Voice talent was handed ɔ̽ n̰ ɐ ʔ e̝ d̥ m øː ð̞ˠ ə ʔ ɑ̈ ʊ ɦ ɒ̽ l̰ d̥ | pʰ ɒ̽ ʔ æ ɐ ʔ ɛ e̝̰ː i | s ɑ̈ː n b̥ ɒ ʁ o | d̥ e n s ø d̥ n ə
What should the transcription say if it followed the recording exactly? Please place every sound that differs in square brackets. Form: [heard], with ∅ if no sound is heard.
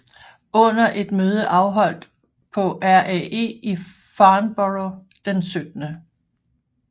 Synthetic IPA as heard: ɔ̽ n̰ ɐ ʔ e̝ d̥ m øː ð̞ˠ ə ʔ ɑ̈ ʊ ɦ ɒ̽ l̰ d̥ | pʰ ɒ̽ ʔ æ ɐ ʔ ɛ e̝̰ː i | [f] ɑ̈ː n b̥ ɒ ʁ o | d̥ e n s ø d̥ n ə